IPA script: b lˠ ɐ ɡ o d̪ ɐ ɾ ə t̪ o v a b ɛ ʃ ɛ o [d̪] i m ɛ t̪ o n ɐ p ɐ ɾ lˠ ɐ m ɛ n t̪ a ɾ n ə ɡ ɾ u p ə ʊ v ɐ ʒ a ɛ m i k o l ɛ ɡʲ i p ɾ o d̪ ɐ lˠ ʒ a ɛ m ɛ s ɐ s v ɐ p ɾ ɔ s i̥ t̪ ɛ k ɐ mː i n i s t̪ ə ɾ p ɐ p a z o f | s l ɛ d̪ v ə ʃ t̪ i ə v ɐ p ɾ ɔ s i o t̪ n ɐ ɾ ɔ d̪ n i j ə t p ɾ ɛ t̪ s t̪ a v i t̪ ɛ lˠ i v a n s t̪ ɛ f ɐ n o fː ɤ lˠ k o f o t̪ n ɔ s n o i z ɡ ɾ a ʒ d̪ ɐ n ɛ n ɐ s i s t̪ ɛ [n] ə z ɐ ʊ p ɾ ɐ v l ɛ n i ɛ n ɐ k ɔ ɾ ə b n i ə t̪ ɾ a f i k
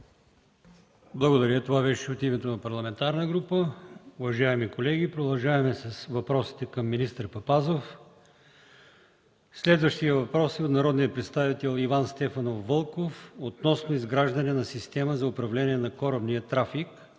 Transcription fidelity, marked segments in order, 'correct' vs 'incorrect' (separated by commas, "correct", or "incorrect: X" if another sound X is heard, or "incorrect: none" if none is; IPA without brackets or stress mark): incorrect: t̪, incorrect: m